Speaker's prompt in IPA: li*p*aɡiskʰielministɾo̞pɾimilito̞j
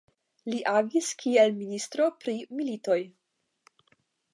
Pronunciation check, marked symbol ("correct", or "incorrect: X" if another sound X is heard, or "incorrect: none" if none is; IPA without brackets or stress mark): incorrect: ʔ